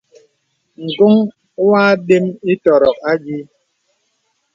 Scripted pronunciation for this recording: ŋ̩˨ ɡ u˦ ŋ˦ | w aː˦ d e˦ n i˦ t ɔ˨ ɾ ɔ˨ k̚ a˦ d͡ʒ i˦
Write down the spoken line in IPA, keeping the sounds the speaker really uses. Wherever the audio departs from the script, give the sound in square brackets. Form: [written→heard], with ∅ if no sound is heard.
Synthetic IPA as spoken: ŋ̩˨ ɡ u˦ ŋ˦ | w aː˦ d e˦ [n→m] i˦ t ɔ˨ ɾ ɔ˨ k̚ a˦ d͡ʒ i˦

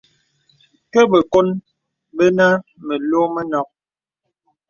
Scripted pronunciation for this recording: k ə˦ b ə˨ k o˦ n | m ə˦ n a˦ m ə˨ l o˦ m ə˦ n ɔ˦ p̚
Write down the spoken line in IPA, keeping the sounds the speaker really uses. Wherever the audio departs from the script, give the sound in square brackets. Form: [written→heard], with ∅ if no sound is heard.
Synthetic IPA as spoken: k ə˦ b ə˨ k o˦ n | [m→b] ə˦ n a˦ m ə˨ l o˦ m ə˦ n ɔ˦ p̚

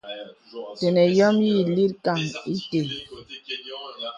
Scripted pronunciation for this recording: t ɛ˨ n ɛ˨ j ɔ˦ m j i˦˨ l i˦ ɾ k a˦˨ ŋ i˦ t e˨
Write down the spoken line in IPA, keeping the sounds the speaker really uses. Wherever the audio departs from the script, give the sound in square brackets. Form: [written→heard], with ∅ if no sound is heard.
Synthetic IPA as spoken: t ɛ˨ n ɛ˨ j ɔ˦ m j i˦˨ l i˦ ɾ k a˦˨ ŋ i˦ t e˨

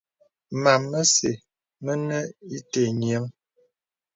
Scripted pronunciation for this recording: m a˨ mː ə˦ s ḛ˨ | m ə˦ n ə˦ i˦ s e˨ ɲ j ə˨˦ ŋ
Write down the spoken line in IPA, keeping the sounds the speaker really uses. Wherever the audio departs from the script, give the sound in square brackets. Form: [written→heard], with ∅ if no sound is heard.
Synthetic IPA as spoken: m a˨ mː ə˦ s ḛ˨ | m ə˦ n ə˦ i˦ [s→t] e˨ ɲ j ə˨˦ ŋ

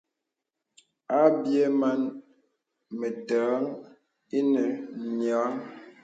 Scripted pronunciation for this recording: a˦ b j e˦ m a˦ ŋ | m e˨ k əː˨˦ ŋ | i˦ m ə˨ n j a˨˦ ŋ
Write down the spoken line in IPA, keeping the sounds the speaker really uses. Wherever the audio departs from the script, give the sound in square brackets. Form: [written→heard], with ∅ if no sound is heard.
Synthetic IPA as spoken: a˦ b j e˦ m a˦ [ŋ→n] | m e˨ [k→t] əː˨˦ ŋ | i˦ [m→n] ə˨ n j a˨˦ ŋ

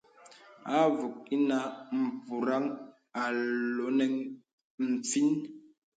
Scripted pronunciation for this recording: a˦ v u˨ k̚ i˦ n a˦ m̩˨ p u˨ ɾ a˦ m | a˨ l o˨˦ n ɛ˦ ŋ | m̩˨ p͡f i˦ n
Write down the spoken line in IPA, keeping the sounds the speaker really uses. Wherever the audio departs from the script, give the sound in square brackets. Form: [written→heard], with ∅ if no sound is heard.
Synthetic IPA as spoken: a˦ v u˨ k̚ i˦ n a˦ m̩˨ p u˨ ɾ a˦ [m→ŋ] | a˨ l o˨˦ n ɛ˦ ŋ | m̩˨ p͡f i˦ n

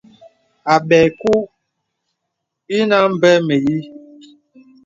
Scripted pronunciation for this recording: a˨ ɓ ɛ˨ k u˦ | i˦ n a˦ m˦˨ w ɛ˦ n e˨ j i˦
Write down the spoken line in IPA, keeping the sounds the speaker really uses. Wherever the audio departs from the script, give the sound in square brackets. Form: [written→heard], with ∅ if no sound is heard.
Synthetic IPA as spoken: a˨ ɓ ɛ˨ k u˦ | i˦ n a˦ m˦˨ [w→b] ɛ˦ [n→m] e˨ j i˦

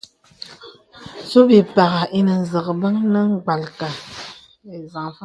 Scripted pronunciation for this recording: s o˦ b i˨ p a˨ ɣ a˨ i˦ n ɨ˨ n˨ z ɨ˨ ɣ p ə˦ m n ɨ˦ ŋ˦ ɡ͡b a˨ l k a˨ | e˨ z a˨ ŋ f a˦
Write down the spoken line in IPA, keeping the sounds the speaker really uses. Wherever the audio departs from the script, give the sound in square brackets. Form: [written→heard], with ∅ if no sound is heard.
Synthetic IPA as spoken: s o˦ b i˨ p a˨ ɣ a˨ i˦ n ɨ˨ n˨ z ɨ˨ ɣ [p→b] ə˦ [m→ŋ] n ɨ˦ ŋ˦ ɡ͡b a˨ l k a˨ | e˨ z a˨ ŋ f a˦

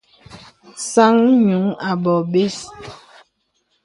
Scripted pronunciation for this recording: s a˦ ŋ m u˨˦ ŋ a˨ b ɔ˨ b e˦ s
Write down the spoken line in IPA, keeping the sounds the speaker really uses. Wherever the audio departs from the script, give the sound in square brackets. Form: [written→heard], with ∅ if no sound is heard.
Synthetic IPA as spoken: s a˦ ŋ [m→ɲ] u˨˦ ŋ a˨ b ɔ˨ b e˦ s

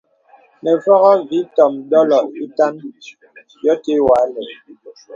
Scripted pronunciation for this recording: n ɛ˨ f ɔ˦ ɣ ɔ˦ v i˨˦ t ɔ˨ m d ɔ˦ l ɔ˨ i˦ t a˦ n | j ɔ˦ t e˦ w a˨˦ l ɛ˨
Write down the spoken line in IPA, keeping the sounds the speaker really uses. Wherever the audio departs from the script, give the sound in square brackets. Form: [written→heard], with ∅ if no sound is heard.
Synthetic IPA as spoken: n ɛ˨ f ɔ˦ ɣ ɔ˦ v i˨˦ t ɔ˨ m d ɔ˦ l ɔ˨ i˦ t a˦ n | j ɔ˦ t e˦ w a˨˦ l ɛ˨

